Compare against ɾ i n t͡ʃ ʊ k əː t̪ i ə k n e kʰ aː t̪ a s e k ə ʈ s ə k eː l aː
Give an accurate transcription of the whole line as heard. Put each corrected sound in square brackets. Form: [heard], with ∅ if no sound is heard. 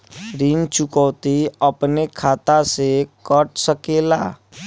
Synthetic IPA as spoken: ɾ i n t͡ʃ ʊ k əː t̪ i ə [p] n e kʰ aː t̪ a s e k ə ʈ s ə k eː l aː